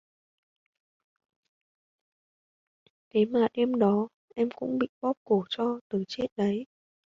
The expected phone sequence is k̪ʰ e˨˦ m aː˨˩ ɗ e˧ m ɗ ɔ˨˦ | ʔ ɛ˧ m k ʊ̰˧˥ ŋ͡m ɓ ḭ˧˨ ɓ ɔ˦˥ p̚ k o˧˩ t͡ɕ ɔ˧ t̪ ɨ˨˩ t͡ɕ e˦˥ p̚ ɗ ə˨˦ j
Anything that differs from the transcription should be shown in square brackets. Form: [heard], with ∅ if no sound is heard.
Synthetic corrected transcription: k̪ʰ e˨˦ m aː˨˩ ɗ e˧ m ɗ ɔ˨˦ | ʔ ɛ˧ m k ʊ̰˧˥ ŋ͡m ɓ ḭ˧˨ ɓ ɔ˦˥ p̚ k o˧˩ t͡ɕ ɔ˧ t̪ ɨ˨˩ t͡ɕ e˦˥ [t̚] ɗ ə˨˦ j